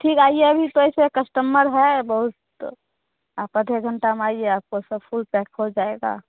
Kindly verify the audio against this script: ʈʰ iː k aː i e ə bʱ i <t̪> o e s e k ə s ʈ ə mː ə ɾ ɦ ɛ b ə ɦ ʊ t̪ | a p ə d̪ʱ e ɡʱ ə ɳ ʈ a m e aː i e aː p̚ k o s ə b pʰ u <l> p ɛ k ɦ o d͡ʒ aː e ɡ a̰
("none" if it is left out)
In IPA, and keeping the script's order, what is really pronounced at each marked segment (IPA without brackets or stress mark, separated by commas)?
t̪, l